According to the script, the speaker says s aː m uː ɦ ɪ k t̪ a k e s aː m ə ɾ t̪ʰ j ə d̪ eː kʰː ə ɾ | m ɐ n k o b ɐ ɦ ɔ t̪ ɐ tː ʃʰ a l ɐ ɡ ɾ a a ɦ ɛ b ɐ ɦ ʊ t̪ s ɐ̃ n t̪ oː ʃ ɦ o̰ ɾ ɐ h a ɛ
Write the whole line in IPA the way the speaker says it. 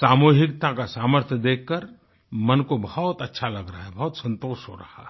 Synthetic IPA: s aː m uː ɦ ɪ k t̪ a k a s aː m ə ɾ t̪ʰ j ə d̪ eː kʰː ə ɾ | m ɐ n k o b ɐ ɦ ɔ t̪ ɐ tː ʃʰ a l ɐ ɡ ɾ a a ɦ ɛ b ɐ ɦ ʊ t̪ s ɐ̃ n t̪ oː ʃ ɦ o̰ ɾ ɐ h a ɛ